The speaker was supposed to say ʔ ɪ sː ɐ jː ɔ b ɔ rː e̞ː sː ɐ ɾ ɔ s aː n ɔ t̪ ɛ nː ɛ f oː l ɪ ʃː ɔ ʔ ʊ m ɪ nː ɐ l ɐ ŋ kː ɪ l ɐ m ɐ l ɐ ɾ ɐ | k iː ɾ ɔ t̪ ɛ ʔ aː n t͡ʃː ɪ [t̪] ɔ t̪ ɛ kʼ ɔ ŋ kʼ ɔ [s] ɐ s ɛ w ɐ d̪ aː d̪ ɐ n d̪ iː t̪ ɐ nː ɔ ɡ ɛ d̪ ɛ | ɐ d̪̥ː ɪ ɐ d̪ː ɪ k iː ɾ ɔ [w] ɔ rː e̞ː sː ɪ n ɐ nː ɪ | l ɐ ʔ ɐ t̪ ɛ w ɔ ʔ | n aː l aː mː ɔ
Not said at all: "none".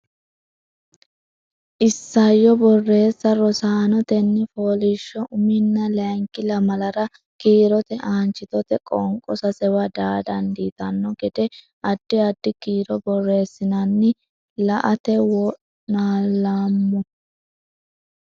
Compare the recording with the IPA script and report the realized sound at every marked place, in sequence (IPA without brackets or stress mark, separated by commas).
t̪, s, b